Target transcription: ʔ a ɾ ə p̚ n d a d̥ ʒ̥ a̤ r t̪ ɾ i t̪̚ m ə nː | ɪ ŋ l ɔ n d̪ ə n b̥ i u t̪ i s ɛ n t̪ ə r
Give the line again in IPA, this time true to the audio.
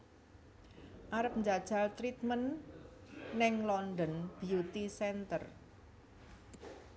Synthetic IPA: ʔ a ɾ ə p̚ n d͡ʒ a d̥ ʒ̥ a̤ l t̪ ɾ i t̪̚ m ə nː | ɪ ŋ l ɔ n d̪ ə n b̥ i u t̪ i s ɛ n t̪ ə r